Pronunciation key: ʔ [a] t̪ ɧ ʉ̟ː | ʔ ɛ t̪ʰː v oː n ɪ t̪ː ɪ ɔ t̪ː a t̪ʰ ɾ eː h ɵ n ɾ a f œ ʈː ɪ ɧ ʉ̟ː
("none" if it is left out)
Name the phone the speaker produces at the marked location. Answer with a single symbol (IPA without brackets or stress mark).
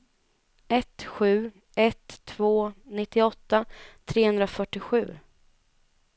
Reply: ɛ